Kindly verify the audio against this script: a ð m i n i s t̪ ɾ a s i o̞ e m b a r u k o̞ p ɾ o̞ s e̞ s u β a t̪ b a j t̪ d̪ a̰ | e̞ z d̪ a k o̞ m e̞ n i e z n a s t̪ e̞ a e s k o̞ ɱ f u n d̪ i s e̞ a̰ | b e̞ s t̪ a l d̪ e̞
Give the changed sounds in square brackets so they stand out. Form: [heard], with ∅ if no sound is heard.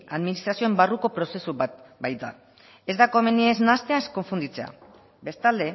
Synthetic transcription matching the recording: a ð m i n i s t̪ ɾ a s i o̞ e m b a r u k o̞ p ɾ o̞ s e̞ s u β a t̪ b a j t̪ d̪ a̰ | e̞ z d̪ a k o̞ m e̞ n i e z n a s t̪ e̞ a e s k o̞ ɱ f u n d̪ i [t͡s] e̞ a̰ | b e̞ s t̪ a l d̪ e̞